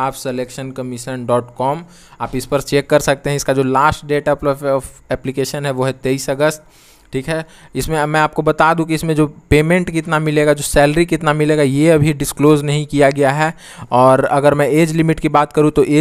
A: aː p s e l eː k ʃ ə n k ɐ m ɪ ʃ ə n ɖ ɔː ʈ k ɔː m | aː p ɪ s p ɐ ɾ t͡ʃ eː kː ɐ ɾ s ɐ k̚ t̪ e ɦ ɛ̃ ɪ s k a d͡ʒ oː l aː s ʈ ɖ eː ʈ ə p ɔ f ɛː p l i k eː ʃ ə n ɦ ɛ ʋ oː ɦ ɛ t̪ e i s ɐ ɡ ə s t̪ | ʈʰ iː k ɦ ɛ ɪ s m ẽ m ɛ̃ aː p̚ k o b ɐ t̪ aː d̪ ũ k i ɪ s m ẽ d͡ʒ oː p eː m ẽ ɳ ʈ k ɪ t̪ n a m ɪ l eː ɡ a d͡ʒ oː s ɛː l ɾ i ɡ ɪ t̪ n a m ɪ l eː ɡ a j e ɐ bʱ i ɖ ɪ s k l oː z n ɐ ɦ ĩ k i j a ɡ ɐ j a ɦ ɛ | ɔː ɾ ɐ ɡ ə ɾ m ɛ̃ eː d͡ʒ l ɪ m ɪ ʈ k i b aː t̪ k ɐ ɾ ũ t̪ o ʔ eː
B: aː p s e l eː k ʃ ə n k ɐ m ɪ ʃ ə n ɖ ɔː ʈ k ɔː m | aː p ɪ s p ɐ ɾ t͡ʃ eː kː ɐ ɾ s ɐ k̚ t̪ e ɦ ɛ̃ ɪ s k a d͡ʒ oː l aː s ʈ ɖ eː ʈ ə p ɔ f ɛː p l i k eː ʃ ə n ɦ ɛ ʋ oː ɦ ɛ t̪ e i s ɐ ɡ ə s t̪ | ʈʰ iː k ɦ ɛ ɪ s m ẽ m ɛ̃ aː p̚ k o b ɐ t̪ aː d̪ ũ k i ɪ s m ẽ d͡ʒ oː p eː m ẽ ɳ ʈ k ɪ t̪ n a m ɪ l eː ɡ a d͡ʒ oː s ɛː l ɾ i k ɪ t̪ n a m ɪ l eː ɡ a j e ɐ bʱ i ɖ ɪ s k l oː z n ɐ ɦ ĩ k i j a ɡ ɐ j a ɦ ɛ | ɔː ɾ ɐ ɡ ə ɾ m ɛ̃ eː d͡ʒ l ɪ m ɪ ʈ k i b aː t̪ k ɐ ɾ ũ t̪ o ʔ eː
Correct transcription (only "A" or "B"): B